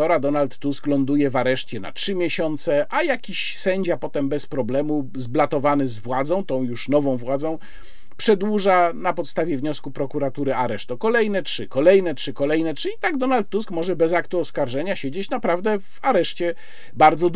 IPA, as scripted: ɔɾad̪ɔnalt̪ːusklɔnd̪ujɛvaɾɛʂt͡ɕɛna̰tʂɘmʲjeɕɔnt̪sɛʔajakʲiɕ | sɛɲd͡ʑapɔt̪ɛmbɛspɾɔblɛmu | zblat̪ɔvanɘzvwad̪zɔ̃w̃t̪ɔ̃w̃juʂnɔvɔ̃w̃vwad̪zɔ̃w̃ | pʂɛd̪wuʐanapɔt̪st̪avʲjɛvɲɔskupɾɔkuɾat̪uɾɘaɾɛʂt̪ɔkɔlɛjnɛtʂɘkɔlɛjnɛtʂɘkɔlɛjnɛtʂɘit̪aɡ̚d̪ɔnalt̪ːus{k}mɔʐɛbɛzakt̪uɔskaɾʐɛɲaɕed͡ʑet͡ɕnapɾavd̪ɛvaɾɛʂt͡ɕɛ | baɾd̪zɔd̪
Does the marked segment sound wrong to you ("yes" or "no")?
no